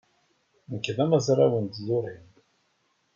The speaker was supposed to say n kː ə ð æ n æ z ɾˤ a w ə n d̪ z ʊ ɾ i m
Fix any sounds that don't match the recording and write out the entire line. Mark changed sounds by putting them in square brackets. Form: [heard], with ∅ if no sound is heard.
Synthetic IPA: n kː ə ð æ [m] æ z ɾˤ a w ə n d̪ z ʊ ɾ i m